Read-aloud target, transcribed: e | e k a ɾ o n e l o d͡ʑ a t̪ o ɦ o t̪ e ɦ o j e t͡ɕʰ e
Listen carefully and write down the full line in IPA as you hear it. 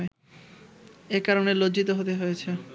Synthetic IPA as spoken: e | e k a ɾ o n e l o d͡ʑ i t̪ o ɦ o t̪ e ɦ o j e t͡ɕʰ e